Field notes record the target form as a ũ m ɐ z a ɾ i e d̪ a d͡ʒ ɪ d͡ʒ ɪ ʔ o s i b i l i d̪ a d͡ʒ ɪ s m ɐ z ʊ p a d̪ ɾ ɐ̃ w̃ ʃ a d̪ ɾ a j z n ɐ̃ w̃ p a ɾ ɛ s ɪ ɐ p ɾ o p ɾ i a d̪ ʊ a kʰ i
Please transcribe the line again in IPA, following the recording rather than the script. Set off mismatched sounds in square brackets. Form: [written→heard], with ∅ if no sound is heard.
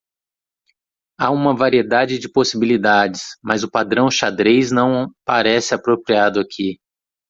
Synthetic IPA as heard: a ũ m ɐ [z→v] a ɾ i e d̪ a d͡ʒ ɪ d͡ʒ ɪ [ʔ→p] o s i b i l i d̪ a d͡ʒ ɪ s m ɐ z ʊ p a d̪ ɾ ɐ̃ w̃ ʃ a d̪ ɾ [a→e] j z n ɐ̃ w̃ p a ɾ ɛ s ɪ [ɐ→a] p ɾ o p ɾ i a d̪ ʊ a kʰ i